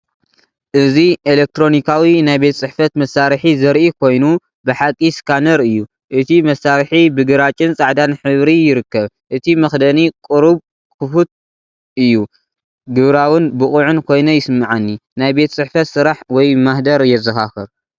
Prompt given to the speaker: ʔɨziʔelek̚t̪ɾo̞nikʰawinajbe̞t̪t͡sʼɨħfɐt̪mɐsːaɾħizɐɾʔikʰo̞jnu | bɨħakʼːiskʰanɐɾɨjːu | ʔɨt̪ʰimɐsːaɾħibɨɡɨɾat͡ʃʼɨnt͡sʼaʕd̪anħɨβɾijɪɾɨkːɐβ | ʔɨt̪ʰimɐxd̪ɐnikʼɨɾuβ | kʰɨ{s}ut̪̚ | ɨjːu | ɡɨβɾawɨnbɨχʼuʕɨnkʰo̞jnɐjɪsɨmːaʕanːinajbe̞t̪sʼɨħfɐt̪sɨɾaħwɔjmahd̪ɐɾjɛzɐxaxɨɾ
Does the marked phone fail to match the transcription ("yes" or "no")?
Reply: yes